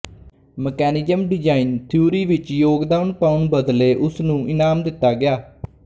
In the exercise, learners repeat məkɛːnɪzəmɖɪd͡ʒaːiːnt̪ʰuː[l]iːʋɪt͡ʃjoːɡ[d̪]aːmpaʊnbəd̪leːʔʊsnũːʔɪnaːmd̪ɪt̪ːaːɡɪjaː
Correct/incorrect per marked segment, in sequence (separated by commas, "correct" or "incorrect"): incorrect, correct